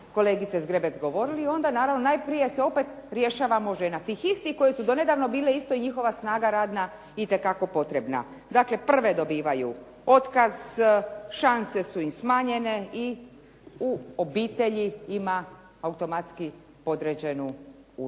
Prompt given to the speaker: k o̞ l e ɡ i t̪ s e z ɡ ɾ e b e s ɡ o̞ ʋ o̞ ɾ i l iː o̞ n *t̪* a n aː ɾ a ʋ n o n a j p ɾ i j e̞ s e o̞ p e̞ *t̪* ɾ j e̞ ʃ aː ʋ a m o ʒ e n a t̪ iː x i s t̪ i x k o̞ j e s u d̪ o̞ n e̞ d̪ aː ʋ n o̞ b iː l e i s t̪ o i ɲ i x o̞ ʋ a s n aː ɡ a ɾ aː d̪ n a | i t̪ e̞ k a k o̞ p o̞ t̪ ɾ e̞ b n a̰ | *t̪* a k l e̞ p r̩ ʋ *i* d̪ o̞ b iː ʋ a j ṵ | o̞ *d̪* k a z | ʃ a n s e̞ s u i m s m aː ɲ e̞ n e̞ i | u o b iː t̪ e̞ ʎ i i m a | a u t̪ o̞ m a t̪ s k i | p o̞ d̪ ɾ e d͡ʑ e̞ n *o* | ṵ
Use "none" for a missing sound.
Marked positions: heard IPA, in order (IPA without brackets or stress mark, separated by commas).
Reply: d̪, t̪, d̪, e, t̪, u